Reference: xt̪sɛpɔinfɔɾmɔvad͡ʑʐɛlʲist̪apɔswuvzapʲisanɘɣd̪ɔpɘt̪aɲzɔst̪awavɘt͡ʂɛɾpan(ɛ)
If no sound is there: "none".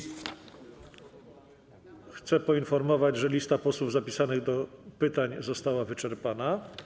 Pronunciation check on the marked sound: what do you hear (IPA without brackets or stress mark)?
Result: a